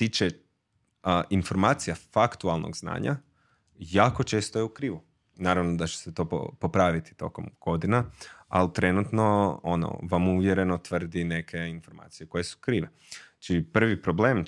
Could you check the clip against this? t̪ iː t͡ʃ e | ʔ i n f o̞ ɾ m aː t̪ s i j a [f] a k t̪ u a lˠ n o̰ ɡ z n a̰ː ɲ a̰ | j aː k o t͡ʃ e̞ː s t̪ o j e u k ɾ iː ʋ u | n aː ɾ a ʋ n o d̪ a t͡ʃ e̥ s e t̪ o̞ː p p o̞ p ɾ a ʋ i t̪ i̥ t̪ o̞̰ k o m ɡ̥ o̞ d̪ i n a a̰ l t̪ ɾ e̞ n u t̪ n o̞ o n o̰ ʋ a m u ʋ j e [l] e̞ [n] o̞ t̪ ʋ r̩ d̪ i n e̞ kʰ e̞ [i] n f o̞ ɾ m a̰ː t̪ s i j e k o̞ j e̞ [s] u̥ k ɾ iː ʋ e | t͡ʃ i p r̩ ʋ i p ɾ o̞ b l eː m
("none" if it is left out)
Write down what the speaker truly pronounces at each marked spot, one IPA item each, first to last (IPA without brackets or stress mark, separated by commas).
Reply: f, ɾ, n, i, s